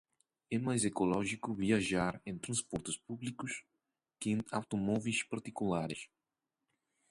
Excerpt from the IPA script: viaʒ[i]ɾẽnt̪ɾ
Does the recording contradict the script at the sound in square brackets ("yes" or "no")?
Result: yes